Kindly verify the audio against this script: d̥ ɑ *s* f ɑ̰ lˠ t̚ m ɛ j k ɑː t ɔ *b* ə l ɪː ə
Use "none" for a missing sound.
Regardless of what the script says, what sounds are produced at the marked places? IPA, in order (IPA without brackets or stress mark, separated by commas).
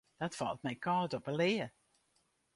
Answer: t, p